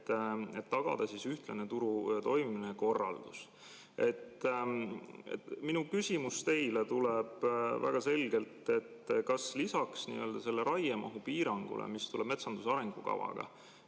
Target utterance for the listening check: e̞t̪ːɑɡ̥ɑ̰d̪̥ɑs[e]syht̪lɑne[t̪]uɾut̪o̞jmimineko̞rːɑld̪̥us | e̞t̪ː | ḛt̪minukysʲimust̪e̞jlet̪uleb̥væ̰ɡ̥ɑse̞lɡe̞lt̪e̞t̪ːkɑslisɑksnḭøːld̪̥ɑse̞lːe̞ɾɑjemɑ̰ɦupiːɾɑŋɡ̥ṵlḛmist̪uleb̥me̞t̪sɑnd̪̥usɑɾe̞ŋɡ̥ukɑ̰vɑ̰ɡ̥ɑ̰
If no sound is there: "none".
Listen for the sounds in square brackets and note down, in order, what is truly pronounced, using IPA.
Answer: i, t̪

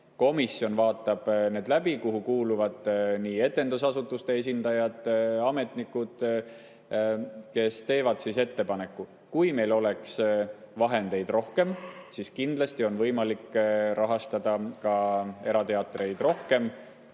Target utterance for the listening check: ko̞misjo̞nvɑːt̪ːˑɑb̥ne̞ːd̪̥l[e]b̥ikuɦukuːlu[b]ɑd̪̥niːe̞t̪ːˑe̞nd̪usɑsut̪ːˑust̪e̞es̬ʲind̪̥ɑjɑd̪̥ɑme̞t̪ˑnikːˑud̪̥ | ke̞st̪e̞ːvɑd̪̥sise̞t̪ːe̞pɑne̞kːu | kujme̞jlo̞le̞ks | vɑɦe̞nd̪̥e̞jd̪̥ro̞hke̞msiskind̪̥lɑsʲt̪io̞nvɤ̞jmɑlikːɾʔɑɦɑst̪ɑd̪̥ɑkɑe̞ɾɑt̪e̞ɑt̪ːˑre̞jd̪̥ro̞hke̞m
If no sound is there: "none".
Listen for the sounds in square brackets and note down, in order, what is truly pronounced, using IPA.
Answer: æ, v

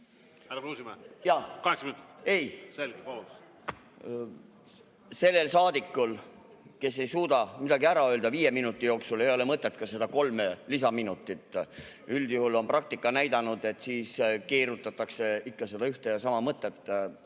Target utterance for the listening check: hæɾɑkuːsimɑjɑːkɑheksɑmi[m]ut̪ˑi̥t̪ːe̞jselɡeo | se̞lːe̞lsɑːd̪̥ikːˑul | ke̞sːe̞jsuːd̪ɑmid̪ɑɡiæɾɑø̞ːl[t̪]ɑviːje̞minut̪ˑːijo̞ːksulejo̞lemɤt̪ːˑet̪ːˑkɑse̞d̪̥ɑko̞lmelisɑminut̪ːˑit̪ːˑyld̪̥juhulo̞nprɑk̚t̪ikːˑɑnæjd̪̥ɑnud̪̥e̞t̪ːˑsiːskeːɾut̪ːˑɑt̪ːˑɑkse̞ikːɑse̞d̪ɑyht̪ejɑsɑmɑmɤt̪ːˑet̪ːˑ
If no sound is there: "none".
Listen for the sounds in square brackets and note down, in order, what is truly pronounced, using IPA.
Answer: n, d̪

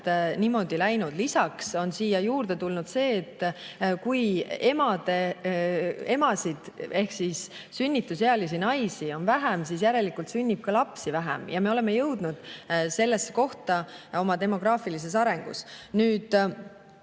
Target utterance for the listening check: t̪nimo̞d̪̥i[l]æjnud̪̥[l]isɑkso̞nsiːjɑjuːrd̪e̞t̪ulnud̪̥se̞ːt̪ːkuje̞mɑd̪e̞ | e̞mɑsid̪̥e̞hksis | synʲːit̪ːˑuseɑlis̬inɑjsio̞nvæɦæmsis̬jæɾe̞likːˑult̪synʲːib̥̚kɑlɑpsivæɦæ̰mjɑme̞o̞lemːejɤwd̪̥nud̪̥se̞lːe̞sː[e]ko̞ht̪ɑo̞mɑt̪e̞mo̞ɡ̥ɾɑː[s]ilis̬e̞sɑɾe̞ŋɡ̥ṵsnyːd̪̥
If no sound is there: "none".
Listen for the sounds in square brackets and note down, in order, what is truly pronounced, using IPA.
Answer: l, l, e, f

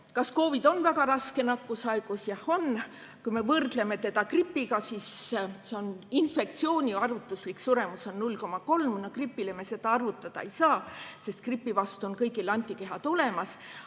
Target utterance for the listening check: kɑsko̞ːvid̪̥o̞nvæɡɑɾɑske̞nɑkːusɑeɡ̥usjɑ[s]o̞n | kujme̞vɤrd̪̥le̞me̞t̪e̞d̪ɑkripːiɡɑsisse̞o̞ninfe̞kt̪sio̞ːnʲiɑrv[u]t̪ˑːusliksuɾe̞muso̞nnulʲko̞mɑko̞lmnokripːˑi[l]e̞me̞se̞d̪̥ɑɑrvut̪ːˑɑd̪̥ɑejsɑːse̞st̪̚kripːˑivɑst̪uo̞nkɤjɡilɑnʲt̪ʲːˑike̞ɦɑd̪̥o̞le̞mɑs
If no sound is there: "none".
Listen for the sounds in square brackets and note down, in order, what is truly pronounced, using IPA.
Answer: h, u, l

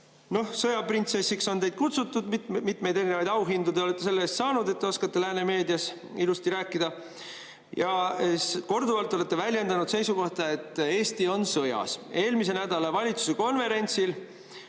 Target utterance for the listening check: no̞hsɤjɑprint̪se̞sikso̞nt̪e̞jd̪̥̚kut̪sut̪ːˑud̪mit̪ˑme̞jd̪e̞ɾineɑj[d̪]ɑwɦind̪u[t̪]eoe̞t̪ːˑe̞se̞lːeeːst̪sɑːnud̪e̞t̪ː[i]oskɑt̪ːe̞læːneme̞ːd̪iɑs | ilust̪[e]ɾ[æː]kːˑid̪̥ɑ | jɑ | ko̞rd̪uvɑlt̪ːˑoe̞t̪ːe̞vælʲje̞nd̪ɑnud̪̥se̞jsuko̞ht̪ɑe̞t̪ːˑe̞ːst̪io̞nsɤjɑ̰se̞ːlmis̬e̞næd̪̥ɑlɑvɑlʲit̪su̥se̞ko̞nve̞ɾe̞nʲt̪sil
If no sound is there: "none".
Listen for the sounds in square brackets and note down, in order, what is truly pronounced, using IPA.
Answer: d̪, d̪, e, i, æː

